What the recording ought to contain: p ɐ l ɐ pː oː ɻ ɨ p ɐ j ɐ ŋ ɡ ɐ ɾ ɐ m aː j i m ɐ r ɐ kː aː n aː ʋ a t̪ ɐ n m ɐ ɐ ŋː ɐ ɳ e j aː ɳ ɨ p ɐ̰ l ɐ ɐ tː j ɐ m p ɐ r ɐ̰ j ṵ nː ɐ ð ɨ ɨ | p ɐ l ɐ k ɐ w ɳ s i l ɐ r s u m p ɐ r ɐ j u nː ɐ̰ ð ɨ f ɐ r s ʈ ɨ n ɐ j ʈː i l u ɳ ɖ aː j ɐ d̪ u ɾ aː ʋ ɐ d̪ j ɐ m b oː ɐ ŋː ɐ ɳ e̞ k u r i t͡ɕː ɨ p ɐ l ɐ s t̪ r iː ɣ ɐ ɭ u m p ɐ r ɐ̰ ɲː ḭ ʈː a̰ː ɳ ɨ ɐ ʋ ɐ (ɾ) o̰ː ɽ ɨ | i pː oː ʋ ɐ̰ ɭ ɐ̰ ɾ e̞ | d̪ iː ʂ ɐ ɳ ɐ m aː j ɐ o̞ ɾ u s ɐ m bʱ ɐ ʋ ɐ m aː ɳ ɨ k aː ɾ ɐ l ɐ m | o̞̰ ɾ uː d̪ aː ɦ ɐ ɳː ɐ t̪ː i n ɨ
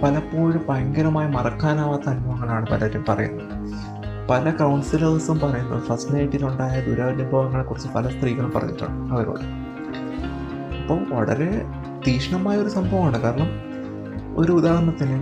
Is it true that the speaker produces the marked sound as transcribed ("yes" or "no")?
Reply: yes